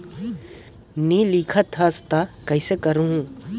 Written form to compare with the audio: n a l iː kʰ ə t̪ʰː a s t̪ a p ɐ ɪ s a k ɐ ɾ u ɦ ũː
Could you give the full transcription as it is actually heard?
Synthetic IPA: n i l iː kʰ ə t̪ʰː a s t̪ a k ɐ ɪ s e k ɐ ɾ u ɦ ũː